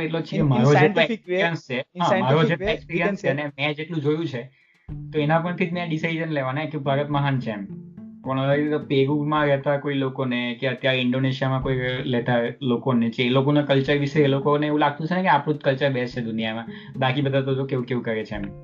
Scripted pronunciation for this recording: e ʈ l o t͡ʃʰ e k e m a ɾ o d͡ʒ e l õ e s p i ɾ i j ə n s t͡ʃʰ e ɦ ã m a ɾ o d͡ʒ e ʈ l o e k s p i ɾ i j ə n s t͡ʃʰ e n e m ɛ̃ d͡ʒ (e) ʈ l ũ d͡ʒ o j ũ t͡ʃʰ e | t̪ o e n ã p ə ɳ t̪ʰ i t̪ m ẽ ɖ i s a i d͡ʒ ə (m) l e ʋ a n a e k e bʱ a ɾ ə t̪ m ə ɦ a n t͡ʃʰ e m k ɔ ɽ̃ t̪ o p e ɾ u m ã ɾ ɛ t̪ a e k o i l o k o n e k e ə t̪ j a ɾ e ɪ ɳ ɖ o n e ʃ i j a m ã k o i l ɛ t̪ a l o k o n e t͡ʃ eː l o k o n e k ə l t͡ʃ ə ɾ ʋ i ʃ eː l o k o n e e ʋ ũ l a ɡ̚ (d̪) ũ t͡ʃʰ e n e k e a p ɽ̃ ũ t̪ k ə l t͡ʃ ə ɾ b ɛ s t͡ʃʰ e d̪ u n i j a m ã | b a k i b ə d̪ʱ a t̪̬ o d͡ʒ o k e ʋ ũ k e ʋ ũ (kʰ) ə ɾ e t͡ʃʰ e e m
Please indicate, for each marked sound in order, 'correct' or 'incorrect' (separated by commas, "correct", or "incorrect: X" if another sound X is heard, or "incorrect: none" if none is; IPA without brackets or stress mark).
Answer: correct, incorrect: n, incorrect: t̪, incorrect: k